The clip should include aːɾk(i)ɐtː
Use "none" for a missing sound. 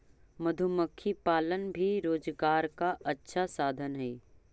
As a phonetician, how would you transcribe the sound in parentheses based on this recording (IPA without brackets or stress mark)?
a